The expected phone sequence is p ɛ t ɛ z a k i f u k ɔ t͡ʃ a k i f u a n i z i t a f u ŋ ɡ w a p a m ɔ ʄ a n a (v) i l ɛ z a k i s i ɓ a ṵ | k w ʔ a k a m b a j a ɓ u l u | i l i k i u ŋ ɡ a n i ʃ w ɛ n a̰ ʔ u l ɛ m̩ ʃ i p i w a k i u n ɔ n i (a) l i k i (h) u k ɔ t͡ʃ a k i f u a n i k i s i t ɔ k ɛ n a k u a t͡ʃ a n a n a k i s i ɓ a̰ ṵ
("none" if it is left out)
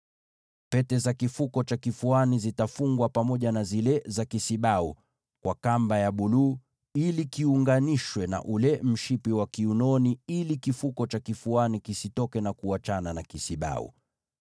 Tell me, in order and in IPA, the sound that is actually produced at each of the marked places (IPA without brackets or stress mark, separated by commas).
z, i, f